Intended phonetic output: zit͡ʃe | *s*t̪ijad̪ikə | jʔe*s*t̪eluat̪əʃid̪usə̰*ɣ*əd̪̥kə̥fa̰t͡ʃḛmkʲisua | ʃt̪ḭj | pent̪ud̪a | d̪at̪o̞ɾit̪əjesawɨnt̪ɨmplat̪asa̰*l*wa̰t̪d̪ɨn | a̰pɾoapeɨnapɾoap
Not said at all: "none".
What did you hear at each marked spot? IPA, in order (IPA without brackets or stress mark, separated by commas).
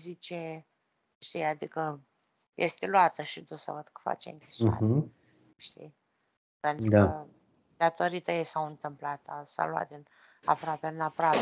ʃ, s, v, l